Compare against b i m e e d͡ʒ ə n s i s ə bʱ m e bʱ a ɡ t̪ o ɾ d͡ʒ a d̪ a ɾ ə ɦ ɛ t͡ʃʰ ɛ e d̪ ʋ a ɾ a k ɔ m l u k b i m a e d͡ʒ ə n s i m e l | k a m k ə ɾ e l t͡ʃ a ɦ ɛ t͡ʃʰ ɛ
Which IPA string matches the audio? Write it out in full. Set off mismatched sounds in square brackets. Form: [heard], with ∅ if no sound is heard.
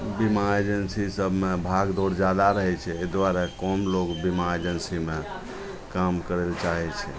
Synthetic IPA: b i m [a] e d͡ʒ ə n s i s ə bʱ m e bʱ a ɡ [d̪] o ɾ d͡ʒ a d̪ a ɾ ə ɦ ɛ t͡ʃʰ ɛ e d̪ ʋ a ɾ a k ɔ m l [o] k b i m a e d͡ʒ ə n s i m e [∅] | k a m k ə ɾ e l t͡ʃ a ɦ ɛ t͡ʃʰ ɛ